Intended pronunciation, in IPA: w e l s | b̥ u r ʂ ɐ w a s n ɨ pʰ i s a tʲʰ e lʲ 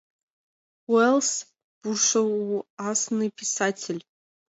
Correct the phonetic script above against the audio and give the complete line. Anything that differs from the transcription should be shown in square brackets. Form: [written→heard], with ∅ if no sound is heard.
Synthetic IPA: w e l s | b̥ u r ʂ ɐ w a s n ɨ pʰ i s a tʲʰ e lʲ